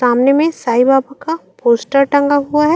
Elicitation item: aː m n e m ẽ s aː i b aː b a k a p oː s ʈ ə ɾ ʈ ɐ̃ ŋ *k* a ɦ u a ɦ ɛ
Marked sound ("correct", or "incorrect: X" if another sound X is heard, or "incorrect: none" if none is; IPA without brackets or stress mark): incorrect: ɡ